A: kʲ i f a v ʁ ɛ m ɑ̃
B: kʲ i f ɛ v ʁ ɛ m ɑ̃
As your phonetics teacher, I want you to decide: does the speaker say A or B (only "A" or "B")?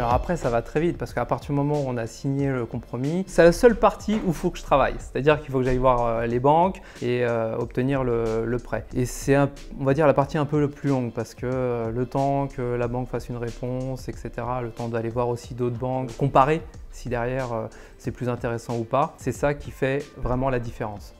B